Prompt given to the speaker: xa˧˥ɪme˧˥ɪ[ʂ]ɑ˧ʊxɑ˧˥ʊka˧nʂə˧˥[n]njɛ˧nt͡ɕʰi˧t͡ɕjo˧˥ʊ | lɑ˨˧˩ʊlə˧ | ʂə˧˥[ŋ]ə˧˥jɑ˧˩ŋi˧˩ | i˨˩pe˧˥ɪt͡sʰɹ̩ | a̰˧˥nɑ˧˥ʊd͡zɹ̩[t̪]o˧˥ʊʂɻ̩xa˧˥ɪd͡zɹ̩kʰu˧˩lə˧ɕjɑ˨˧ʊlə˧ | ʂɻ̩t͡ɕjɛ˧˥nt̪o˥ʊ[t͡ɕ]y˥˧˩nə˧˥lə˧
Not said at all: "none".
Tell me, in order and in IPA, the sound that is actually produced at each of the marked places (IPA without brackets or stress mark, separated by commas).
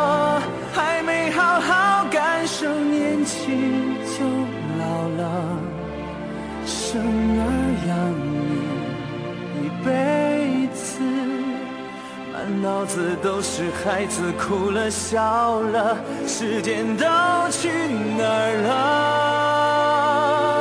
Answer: x, ŋ, ŋ, t̪, t͡ɕʰ